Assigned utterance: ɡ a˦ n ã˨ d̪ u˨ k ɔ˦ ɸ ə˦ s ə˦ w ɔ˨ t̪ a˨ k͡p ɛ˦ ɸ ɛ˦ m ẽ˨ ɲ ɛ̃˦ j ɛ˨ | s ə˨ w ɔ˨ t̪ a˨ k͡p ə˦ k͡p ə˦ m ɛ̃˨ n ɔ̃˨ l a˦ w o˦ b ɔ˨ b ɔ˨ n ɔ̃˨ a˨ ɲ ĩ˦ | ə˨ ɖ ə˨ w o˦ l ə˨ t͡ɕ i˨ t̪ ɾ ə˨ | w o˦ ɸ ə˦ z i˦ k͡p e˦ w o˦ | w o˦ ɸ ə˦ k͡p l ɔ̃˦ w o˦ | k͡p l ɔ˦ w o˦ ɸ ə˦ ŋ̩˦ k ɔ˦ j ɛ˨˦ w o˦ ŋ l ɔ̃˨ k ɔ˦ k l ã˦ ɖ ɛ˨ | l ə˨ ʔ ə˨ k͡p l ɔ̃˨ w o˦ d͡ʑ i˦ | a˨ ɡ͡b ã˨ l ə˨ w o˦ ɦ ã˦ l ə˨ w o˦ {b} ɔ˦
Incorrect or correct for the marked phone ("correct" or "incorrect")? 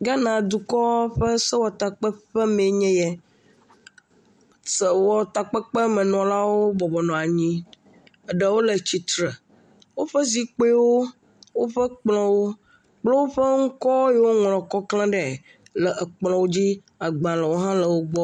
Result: incorrect